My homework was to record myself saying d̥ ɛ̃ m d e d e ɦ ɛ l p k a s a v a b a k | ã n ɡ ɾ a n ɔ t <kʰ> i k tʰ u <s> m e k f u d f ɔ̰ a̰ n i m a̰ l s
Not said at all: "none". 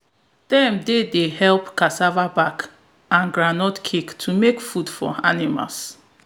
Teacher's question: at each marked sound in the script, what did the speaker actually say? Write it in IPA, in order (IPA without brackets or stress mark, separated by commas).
kʰ, none